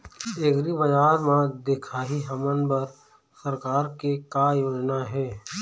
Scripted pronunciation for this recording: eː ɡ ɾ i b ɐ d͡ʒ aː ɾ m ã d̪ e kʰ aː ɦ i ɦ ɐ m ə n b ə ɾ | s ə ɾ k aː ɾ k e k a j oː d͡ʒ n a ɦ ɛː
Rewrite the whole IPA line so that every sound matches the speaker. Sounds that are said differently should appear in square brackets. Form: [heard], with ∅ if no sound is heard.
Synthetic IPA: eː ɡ ɾ i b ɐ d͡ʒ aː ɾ m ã d̪ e kʰ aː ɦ i ɦ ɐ m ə n b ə ɾ | s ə ɾ k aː ɾ k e k a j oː d͡ʒ n a ɦ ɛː